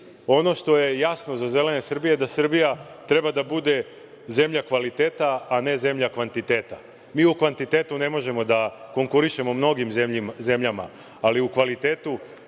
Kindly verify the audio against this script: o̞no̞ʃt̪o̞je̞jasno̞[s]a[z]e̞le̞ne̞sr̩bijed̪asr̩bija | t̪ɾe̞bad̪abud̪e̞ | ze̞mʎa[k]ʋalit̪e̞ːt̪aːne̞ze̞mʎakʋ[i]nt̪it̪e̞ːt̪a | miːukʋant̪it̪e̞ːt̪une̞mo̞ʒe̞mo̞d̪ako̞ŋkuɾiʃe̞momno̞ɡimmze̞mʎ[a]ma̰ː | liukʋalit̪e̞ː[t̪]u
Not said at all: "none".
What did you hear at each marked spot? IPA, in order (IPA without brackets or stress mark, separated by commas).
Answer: z, z, k, a, a, t̪